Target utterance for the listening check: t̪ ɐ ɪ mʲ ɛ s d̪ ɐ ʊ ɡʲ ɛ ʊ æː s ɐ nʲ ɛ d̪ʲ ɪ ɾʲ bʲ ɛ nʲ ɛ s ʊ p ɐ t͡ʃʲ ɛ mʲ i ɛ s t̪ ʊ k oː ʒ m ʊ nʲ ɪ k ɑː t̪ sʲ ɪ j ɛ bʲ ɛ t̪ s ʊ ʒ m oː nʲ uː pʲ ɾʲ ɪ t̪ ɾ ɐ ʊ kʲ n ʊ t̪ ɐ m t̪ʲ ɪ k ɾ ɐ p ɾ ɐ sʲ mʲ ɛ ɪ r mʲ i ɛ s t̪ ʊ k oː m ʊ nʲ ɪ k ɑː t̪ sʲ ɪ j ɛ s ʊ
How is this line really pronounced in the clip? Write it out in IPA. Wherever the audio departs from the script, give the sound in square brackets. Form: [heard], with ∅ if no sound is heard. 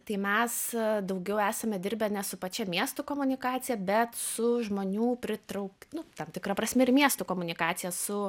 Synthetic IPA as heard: t̪ ɐ ɪ mʲ ɛ s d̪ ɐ ʊ ɡʲ ɛ ʊ æː s ɐ [mʲ] ɛ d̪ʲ ɪ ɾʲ bʲ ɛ nʲ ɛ s ʊ p ɐ t͡ʃʲ ɛ mʲ i ɛ s t̪ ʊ k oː [∅] m ʊ nʲ ɪ k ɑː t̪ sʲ ɪ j ɛ bʲ ɛ t̪ s ʊ ʒ m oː nʲ uː pʲ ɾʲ ɪ t̪ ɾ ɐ ʊ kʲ n ʊ t̪ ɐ m t̪ʲ ɪ k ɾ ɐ p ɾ ɐ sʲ mʲ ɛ ɪ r mʲ i ɛ s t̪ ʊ k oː m ʊ nʲ ɪ k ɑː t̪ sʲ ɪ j ɛ s ʊ